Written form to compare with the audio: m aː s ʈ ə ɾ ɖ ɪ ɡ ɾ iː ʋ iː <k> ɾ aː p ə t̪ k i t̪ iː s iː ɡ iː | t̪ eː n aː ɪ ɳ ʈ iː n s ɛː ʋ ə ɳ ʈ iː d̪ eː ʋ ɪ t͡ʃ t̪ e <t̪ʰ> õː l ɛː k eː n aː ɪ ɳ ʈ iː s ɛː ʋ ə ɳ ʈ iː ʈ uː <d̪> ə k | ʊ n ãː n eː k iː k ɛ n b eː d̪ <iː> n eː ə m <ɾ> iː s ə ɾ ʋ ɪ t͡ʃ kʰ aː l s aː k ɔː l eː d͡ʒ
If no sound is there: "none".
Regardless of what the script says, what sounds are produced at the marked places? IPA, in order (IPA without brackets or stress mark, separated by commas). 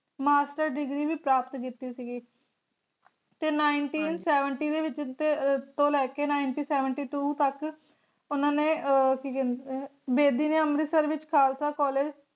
p, t̪, t̪, iː, ɾ